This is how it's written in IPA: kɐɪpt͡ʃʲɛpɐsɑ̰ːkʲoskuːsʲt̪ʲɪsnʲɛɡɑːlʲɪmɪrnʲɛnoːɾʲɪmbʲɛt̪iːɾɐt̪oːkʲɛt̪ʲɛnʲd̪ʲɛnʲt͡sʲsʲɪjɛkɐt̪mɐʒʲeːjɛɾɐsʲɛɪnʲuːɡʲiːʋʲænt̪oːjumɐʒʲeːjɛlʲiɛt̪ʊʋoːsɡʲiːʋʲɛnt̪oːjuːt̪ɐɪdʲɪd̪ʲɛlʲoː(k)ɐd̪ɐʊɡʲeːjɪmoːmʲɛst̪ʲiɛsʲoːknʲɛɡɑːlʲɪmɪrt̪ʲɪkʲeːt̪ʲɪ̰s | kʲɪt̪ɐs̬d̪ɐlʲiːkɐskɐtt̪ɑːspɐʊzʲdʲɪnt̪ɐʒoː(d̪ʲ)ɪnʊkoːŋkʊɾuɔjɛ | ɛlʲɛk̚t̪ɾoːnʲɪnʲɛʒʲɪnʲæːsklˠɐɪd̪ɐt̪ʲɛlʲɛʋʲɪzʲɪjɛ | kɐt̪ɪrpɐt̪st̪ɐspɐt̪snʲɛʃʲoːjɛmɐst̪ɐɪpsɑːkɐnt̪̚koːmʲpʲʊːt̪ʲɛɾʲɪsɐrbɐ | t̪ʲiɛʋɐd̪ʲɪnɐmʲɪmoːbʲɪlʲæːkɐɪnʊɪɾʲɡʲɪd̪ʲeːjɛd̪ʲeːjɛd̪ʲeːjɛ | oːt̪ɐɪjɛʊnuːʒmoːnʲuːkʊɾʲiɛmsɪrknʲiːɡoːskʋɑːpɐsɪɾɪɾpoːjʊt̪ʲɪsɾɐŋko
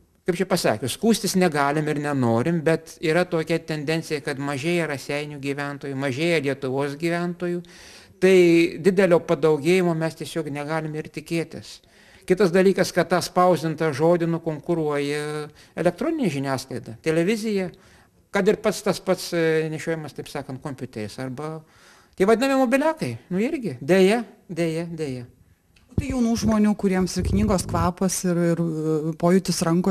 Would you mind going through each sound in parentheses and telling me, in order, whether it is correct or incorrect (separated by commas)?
incorrect, correct